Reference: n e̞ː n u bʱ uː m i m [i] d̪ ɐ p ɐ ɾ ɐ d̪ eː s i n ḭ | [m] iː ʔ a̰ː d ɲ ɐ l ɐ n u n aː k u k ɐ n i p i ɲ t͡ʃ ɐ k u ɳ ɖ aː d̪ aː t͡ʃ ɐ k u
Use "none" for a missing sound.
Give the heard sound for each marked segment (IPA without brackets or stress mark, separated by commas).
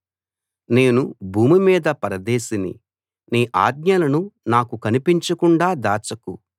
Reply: iː, n